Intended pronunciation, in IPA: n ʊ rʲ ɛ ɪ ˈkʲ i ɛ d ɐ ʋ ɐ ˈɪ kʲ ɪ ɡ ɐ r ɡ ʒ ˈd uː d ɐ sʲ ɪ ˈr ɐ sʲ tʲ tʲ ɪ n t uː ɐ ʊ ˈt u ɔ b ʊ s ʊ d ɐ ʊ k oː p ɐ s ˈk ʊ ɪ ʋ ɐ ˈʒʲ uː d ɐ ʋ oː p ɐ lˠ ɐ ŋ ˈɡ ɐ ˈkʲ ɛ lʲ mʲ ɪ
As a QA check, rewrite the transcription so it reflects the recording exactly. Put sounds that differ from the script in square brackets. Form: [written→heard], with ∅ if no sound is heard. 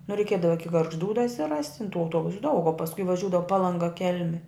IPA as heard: n ʊ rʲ ɛ ɪ ˈkʲ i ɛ d ɐ ʋ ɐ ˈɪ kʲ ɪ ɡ ɐ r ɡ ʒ ˈd uː d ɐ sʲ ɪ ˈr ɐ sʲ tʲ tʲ ɪ n t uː ɐ ʊ ˈt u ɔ b ʊ s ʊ d ɐ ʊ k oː p ɐ s ˈk ʊ ɪ ʋ ɐ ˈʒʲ uː d ɐ ʋ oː p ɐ lˠ ɐ ŋ ˈɡ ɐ ˈkʲ ɛ lʲ mʲ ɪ